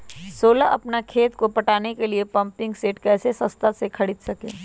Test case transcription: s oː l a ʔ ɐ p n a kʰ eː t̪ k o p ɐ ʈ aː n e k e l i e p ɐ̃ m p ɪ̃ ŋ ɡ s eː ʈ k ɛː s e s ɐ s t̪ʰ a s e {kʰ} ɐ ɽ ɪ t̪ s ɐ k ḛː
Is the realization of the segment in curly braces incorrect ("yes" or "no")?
no